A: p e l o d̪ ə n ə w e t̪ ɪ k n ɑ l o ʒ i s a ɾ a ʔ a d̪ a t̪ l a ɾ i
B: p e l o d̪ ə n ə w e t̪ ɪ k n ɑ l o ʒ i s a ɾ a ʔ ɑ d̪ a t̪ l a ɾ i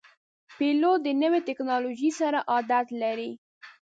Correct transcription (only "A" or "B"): B